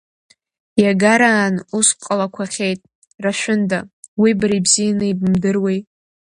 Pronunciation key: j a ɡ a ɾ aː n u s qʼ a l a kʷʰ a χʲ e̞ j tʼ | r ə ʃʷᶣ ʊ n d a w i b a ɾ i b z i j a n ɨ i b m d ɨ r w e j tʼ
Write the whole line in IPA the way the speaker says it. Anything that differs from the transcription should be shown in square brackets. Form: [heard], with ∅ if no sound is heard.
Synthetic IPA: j a ɡ a ɾ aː n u s qʼ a l a kʷʰ a χʲ e̞ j tʼ | r [a] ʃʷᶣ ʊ n d a w i b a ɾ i b z i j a n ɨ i b m d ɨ r w e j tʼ